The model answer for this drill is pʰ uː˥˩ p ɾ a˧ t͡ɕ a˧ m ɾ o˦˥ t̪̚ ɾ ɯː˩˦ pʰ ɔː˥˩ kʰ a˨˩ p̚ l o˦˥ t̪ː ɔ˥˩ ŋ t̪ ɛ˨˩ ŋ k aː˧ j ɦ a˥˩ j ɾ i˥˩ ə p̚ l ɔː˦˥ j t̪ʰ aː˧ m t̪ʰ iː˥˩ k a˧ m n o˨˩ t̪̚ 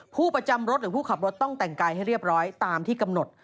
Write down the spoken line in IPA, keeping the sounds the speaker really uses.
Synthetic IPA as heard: pʰ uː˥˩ p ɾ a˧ t͡ɕ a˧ m ɾ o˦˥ t̪̚ ɾ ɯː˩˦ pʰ uː˥˩ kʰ a˨˩ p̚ ɾ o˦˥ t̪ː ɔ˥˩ ŋ t̪ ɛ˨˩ ŋ k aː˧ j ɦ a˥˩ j ɾ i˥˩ ə p̚ ɾ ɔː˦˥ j t̪ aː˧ m t̪ʰ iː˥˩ k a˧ m n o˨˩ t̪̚